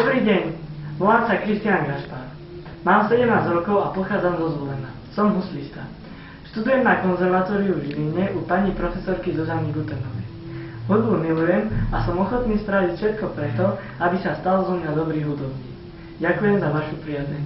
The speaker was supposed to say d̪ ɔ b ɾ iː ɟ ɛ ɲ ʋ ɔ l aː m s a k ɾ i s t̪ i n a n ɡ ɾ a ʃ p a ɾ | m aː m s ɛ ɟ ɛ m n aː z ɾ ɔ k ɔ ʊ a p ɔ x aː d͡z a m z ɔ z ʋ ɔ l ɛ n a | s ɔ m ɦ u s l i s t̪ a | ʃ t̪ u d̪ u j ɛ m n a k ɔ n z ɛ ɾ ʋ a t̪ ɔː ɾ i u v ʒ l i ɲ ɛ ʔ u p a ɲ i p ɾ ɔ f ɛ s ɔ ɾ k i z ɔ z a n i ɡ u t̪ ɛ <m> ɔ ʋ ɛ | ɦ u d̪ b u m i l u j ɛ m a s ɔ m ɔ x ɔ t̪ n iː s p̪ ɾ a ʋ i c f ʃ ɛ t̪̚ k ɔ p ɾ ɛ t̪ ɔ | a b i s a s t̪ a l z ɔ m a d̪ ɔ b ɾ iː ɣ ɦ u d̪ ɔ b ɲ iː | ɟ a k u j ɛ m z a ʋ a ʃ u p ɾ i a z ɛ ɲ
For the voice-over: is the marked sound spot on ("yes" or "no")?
no